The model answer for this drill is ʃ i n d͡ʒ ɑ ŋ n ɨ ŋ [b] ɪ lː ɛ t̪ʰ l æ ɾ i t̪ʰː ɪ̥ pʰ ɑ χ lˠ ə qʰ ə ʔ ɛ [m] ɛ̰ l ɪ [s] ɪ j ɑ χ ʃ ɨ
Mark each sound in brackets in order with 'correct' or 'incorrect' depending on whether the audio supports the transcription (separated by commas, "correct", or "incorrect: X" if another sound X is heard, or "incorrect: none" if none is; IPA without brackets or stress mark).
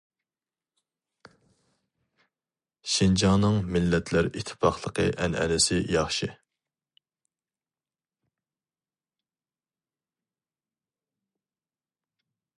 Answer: incorrect: m, incorrect: n, correct